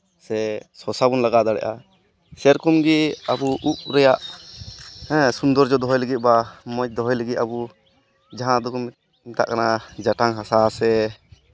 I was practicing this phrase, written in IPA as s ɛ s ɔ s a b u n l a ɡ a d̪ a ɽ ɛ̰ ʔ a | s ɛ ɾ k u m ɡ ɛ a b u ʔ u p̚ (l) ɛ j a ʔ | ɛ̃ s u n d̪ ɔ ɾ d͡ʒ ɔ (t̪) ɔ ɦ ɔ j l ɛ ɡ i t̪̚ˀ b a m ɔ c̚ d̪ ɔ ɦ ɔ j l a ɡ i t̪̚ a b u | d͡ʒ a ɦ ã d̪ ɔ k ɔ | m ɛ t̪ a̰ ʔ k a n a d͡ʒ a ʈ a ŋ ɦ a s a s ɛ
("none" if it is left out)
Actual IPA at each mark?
ɾ, d̪

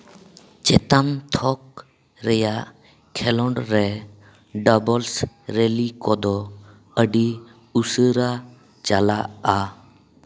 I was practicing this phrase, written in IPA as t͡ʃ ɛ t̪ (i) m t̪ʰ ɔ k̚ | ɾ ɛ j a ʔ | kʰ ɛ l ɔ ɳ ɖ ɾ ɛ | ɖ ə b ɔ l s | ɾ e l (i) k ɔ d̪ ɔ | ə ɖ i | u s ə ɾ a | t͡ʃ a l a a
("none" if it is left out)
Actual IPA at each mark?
a, i

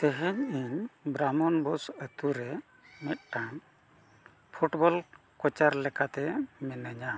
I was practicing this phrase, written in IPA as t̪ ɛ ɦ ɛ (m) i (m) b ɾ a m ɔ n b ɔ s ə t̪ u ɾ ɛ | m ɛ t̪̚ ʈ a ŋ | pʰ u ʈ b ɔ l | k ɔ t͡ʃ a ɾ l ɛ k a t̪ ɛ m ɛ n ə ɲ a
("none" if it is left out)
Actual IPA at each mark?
ɲ, ɲ

